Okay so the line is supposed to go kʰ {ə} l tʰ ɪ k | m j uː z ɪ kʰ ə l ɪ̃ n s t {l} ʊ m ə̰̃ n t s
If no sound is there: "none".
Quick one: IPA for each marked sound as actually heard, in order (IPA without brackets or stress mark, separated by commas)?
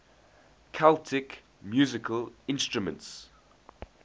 a, ɹ